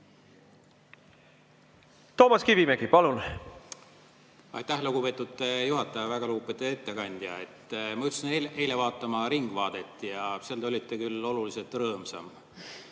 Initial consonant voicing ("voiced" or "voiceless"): voiceless